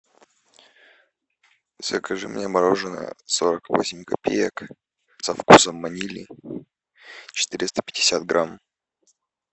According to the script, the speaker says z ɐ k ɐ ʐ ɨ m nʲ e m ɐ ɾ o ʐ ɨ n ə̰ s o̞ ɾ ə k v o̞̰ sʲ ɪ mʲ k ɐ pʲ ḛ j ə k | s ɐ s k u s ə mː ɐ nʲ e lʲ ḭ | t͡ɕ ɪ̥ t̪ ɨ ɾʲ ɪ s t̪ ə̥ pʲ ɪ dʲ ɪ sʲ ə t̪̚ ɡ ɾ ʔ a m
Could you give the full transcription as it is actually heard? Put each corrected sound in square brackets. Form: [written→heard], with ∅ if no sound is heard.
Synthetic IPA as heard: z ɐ k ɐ ʐ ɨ m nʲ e m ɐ ɾ o ʐ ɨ n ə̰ s o̞ ɾ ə k v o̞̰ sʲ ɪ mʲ k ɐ pʲ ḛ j ə k | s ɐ [s→f] k u s ə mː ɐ nʲ [e→i] lʲ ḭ | t͡ɕ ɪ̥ t̪ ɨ ɾʲ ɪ s t̪ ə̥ pʲ ɪ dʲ ɪ sʲ [ə→a] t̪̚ ɡ ɾ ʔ a m